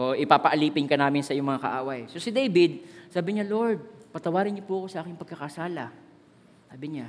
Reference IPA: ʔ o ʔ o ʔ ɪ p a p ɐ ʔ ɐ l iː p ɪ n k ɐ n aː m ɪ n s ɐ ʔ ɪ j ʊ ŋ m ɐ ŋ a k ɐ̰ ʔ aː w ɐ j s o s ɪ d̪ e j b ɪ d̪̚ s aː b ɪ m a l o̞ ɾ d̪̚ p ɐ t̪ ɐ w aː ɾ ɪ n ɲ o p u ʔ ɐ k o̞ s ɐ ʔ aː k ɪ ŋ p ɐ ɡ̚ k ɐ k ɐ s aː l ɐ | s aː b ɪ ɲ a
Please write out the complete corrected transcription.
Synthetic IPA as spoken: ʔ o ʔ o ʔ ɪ p a p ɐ ʔ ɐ l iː p ɪ n k ɐ n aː m ɪ n s ɐ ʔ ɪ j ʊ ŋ m ɐ ŋ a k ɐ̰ ʔ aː w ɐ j s o s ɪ d̪ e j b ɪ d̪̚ s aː b ɪ ɲ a l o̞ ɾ d̪̚ p ɐ t̪ ɐ w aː ɾ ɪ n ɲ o p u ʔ ɐ k o̞ s ɐ ʔ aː k ɪ ŋ p ɐ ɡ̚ k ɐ k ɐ s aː l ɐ | s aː b ɪ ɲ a